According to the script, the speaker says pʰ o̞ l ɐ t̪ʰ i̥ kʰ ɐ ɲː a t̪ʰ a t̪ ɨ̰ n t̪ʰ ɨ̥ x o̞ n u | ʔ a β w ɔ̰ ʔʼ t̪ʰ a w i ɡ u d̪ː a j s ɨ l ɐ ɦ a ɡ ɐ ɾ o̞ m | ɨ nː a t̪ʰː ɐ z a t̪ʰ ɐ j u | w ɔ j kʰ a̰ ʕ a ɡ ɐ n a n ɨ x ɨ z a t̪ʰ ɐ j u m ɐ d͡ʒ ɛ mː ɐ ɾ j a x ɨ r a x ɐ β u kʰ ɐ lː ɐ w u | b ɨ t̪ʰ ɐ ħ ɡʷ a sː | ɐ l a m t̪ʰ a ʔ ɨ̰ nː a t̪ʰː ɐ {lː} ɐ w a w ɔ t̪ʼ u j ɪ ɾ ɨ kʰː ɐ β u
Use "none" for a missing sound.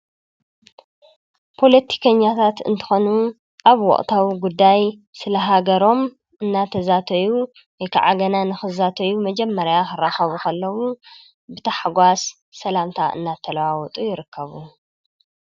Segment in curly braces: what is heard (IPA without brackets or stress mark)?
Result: l